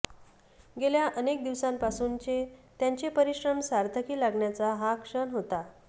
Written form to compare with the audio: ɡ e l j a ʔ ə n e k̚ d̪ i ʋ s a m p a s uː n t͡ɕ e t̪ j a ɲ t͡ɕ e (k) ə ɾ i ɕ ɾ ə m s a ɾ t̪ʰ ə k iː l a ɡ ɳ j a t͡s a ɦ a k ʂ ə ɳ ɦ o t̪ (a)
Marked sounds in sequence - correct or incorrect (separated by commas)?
incorrect, correct